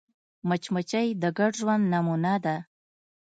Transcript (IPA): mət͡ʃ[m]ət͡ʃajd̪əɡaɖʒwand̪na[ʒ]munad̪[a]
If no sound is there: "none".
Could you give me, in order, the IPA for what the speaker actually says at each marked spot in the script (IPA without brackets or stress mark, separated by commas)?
m, none, a